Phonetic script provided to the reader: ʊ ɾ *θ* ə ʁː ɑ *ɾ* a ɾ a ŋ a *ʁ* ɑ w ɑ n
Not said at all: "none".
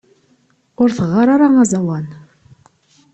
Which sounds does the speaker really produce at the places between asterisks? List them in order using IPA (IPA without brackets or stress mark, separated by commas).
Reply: θ, ɾ, z